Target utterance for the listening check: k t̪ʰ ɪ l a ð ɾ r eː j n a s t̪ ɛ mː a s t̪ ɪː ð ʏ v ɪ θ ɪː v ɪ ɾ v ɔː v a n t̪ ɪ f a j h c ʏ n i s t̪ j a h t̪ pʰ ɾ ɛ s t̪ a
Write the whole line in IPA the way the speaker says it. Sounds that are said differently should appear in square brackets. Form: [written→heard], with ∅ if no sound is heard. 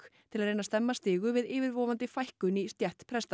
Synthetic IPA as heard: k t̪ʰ ɪ l a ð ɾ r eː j n a s t̪ ɛ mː a s t̪ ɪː [ð→ɣ] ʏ v ɪ [θ→ð] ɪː v ɪ ɾ v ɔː v a n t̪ ɪ f a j h [c→k] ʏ n i s t̪ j [a→ɛ] h t̪ pʰ ɾ ɛ s t̪ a